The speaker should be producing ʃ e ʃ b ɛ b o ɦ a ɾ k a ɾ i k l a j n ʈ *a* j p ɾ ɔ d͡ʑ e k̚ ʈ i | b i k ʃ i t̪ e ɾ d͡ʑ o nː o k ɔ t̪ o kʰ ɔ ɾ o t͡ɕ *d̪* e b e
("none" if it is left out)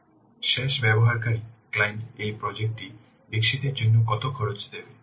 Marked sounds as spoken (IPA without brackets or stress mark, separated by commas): e, d̪